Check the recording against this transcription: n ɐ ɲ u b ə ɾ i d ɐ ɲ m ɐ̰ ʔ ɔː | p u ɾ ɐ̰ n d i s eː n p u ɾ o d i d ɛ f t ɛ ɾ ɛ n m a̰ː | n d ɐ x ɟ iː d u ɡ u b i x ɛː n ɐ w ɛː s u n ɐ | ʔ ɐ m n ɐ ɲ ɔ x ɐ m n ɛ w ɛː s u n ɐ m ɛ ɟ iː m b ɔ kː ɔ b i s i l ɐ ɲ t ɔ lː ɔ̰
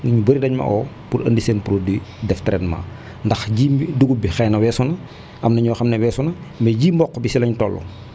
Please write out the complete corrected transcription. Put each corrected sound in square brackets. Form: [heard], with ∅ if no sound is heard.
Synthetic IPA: n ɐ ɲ u b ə ɾ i d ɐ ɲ m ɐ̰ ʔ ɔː | p u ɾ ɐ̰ n d i s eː n p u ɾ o d i d ɛ f t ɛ ɾ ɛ n m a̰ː | n d ɐ x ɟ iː d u ɡ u b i x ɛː n ɐ w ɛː s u n ɐ | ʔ ɐ m n ɐ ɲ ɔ x ɐ m n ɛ w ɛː s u n ɐ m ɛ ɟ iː m b ɔ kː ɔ b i s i l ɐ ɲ t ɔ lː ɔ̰